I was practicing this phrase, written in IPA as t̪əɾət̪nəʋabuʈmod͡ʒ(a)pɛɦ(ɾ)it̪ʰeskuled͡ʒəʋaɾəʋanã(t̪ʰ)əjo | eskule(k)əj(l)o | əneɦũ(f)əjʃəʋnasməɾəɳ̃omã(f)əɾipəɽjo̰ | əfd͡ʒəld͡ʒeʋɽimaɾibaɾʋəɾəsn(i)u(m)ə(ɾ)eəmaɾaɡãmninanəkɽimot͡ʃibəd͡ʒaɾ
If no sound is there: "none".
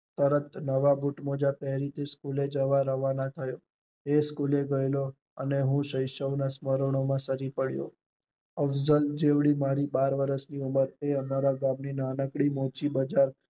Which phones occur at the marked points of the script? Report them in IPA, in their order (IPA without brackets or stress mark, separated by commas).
a, ɾ, t̪ʰ, ɡ, l, ʃ, s, i, m, ɾ